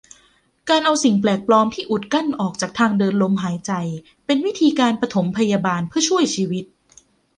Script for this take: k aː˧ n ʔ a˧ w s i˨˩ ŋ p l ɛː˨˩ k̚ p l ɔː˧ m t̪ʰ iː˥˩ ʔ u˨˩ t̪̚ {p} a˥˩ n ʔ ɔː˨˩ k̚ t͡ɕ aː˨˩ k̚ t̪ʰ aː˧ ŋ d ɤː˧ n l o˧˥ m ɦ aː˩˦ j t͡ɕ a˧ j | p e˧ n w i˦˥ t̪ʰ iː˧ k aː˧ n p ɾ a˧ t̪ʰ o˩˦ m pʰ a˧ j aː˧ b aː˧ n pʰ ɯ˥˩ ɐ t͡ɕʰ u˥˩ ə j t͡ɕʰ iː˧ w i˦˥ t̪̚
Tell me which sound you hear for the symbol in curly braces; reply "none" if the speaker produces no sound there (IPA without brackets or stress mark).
k